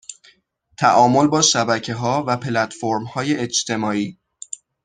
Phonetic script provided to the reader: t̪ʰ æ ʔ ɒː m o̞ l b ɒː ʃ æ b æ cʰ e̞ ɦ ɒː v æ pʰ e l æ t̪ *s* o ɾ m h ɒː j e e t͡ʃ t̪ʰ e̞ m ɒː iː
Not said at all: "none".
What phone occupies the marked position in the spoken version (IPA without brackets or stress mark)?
f